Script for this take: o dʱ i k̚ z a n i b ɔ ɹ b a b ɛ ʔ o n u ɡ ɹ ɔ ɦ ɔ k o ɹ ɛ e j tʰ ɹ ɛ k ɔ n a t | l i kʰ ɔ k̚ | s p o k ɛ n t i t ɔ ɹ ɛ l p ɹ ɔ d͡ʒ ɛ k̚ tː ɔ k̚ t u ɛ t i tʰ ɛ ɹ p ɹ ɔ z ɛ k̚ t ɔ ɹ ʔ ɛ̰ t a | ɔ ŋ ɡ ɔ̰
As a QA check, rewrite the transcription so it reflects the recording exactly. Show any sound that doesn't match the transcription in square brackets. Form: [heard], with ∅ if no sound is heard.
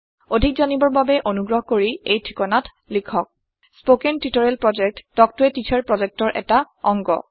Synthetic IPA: o dʱ i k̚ z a n i b ɔ ɹ b a b ɛ ʔ o n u ɡ ɹ ɔ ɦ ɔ k o ɹ [i] e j tʰ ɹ [i] k ɔ n a t | l i kʰ ɔ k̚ | s p o k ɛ n t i t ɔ ɹ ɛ l p ɹ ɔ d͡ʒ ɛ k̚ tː ɔ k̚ t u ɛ t i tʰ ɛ ɹ p ɹ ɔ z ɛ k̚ t ɔ ɹ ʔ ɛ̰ t a | ɔ ŋ ɡ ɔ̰